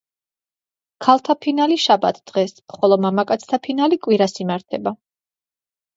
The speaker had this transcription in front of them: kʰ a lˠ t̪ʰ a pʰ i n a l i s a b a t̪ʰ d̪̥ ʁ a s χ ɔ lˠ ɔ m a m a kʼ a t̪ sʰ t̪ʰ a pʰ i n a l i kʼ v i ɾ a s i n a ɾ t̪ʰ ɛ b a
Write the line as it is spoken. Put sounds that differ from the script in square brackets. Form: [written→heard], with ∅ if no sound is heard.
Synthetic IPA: kʰ a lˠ t̪ʰ a pʰ i n a l i [s→ʃ] a b a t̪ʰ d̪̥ ʁ [a→ɛ] s χ ɔ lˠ ɔ m a m a kʼ a t̪ sʰ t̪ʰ a pʰ i n a l i kʼ [v→w] i ɾ a s i [n→m] a ɾ t̪ʰ ɛ b a

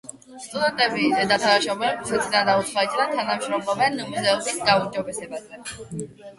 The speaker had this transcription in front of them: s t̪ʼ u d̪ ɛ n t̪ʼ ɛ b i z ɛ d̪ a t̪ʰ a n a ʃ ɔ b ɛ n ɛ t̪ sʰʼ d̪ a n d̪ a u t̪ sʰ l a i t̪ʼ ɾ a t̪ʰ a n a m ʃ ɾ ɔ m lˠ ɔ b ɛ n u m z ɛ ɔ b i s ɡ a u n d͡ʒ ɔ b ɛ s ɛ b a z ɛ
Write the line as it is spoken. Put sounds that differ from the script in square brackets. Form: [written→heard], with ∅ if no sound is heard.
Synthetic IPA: s t̪ʼ u d̪ ɛ n t̪ʼ ɛ b i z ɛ d̪ a t̪ʰ a n a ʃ ɔ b ɛ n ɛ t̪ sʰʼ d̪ a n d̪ a u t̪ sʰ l a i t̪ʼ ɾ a t̪ʰ a n a m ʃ ɾ ɔ m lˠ ɔ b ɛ n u m z ɛ ɔ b i s ɡ a u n d͡ʒ ɔ b ɛ s ɛ b a z ɛ

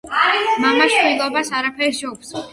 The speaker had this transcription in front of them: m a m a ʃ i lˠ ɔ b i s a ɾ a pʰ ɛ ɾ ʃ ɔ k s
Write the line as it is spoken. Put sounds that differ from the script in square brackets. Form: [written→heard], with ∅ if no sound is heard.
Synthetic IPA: m a m a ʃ i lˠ ɔ b [i→a] s a ɾ a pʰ ɛ ɾ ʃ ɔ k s

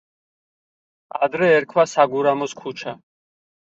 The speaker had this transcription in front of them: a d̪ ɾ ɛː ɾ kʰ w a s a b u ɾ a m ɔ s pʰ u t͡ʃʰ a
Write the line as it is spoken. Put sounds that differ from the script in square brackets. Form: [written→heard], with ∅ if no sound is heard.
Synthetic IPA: a d̪ ɾ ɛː ɾ kʰ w a s a [b→ɡ] u ɾ a m ɔ s [pʰ→kʰ] u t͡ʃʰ a

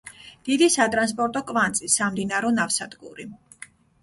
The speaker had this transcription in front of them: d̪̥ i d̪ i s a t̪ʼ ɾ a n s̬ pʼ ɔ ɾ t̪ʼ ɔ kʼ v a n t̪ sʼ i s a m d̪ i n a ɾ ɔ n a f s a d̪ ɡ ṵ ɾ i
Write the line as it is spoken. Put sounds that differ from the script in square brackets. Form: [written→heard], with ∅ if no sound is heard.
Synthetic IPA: d̪̥ i d̪ i s a t̪ʼ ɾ a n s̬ pʼ ɔ ɾ t̪ʼ ɔ kʼ v a n t̪ sʼ i s a m d̪ i n a ɾ ɔ n a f s a d̪ ɡ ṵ ɾ i

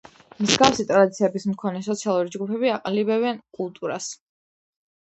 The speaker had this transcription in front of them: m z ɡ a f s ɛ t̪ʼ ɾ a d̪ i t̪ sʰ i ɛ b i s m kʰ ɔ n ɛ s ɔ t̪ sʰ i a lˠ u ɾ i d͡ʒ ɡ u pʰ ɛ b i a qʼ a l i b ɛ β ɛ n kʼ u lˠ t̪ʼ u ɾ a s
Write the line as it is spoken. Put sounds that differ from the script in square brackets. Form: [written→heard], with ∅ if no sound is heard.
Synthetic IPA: m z ɡ a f s [ɛ→i] t̪ʼ ɾ a d̪ i t̪ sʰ i ɛ b i s m kʰ ɔ n ɛ s ɔ t̪ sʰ i a lˠ u ɾ i d͡ʒ ɡ u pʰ ɛ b i a qʼ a l i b ɛ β ɛ n kʼ u lˠ t̪ʼ u ɾ a s

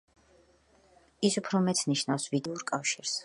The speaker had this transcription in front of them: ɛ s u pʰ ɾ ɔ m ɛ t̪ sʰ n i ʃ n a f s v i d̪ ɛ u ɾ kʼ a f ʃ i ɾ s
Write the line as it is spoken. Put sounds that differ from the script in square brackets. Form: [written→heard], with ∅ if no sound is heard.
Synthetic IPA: [ɛ→i] s u pʰ ɾ ɔ m ɛ t̪ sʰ n i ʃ n a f s v i d̪ ɛ u ɾ kʼ a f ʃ i ɾ s

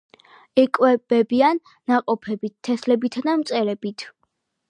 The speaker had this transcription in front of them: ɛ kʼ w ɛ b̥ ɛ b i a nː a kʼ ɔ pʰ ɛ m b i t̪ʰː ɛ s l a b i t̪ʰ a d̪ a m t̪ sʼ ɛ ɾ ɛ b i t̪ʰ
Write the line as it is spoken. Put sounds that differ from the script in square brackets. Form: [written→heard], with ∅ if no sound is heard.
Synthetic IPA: ɛ kʼ w ɛ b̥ ɛ b i a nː a [kʼ→qʼ] ɔ pʰ ɛ [m→∅] b i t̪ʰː ɛ s l [a→ɛ] b i t̪ʰ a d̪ a m t̪ sʼ ɛ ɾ ɛ b i t̪ʰ

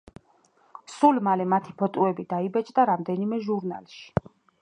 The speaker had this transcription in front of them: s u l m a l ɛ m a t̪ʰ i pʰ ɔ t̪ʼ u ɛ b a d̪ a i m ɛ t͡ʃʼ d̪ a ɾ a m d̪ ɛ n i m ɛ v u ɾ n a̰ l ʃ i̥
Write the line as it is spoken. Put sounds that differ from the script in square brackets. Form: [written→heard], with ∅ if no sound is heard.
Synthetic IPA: s u l m a l ɛ m a t̪ʰ i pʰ ɔ t̪ʼ u ɛ b [a→i] d̪ a i [m→b] ɛ t͡ʃʼ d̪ a ɾ a m d̪ ɛ n i m ɛ [v→ʒ] u ɾ n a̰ l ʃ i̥

